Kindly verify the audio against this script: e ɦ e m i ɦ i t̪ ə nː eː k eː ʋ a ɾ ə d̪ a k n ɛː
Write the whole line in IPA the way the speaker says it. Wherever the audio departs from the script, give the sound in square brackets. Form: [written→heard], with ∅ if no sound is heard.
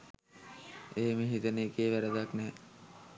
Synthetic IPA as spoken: e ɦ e m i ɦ i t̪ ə [nː→n] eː k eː ʋ [a→æ] ɾ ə d̪ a k n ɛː